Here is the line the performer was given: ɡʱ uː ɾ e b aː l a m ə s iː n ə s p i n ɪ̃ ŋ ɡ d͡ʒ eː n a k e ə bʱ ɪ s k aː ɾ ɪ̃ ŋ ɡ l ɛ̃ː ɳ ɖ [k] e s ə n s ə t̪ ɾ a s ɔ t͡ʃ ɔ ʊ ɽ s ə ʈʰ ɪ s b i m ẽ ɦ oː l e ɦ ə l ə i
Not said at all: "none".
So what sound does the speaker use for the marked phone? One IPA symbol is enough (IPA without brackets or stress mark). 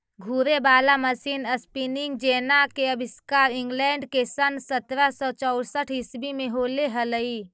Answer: k